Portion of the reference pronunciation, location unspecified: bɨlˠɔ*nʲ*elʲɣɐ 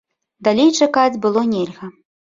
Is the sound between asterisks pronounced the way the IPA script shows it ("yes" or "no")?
yes